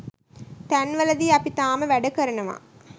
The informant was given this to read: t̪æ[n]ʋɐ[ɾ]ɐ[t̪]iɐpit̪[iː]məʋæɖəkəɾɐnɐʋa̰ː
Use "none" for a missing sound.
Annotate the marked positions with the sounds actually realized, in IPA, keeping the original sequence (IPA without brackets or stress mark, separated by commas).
n, l, d̪, aː